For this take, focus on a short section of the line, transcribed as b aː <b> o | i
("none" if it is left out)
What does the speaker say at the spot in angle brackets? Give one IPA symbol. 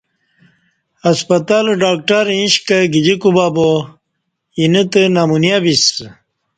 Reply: b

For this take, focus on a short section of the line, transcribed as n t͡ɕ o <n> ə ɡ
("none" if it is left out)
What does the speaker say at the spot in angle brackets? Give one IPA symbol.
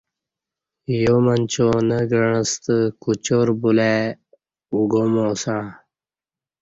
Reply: n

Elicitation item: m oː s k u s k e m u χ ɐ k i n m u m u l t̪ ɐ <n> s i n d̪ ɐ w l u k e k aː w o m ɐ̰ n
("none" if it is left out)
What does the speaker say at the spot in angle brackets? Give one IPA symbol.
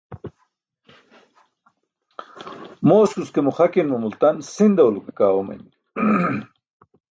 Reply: n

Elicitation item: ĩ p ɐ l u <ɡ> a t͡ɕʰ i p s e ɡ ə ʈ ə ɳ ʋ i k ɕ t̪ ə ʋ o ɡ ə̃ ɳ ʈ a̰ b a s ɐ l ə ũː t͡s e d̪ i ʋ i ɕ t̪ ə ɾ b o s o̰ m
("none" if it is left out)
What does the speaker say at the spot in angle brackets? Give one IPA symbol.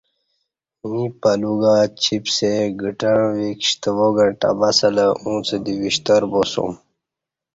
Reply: ɡ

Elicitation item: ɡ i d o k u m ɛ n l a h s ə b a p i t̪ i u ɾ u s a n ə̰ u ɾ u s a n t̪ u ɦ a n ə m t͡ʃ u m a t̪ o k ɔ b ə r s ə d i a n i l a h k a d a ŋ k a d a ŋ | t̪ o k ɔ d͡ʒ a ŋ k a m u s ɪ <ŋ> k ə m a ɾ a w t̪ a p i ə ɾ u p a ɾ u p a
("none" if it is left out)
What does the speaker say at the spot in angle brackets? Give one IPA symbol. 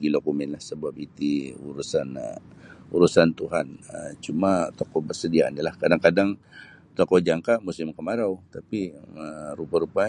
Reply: m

